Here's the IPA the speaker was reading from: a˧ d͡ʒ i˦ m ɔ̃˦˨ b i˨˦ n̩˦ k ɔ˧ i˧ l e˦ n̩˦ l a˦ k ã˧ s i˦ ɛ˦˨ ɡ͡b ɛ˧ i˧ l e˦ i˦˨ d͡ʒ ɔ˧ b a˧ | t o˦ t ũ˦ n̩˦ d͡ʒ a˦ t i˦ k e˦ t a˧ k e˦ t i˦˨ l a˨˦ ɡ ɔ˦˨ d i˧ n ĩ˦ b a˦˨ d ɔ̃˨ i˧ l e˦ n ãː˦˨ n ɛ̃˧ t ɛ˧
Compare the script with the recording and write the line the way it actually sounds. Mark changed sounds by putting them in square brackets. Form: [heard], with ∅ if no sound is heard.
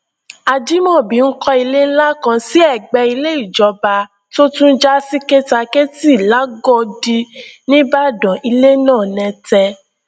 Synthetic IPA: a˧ d͡ʒ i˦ m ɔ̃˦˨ b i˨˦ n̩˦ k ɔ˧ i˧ l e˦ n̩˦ l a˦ k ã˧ s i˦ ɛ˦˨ ɡ͡b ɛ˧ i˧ l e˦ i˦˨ d͡ʒ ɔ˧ b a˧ | t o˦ t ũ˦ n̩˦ d͡ʒ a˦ [s] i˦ k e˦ t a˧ k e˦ t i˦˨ l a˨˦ ɡ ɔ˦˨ d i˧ n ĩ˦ b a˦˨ d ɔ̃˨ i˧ l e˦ n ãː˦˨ n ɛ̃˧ t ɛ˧